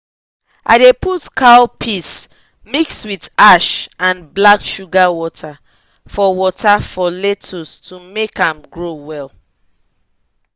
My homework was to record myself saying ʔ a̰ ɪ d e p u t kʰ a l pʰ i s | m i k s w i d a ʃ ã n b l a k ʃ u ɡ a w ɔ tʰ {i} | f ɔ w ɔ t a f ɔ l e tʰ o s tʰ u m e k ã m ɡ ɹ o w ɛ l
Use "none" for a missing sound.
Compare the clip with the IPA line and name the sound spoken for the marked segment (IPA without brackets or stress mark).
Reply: a